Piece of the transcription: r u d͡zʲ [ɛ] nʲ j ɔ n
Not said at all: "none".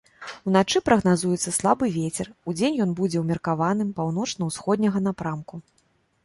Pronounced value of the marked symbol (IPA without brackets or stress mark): e